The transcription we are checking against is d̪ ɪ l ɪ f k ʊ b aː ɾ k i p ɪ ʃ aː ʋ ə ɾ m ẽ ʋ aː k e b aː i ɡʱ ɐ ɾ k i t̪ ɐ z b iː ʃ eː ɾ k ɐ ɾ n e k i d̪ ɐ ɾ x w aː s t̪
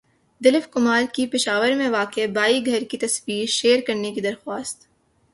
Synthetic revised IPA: d̪ ɪ l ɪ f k ʊ m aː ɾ k i p ɪ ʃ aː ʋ ə ɾ m ẽ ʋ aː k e b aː i ɡʱ ɐ ɾ k i t̪ ɐ s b iː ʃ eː ɾ k ɐ ɾ n e k i d̪ ɐ ɾ x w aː s t̪